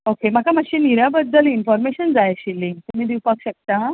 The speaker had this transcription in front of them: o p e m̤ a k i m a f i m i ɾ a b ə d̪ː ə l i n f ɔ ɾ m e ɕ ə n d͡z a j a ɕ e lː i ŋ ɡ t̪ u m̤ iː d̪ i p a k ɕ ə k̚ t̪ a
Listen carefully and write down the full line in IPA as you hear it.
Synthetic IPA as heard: o k e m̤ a k a m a ɕ i n i ɾ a b ə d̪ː ə l i n f ɔ ɾ m e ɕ ə n d͡z a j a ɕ i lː i ŋ ɡ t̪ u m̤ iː d̪ i p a k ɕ ə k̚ t̪ a